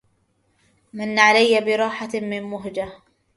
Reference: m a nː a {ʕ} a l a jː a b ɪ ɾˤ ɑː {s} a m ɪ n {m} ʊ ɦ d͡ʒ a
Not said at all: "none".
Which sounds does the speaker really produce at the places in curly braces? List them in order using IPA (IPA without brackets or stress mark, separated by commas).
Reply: ʕ, ħ, m